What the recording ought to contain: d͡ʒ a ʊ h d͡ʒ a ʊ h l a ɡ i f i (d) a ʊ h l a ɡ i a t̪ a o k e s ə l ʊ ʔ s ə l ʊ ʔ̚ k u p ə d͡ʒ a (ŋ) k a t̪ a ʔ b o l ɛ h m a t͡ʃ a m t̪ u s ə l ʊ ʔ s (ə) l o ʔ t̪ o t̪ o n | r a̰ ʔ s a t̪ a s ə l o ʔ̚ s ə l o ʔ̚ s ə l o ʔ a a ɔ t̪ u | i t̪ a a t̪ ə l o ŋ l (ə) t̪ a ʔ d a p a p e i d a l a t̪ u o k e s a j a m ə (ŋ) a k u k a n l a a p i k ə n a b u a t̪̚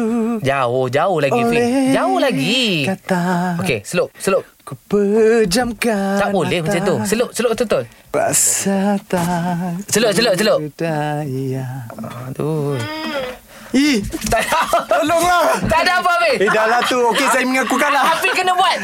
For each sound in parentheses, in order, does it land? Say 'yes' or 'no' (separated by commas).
no, no, yes, no, yes